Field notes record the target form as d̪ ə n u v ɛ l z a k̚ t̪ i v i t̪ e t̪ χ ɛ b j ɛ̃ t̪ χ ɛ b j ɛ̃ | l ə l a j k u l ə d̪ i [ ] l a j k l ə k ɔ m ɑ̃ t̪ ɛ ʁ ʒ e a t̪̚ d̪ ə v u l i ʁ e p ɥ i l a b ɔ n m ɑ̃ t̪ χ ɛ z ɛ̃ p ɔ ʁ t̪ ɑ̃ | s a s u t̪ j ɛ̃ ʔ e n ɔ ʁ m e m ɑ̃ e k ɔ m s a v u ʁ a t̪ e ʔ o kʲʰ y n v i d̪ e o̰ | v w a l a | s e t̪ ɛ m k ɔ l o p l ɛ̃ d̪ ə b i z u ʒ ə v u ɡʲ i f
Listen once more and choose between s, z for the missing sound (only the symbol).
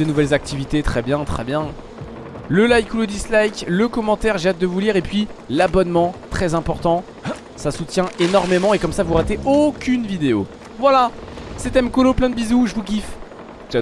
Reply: s